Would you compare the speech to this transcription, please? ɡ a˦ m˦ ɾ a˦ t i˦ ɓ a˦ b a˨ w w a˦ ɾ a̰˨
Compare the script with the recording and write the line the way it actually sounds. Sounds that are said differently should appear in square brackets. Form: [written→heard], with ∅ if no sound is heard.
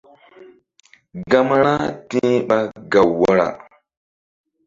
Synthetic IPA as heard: ɡ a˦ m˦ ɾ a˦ t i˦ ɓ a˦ [b→ɡ] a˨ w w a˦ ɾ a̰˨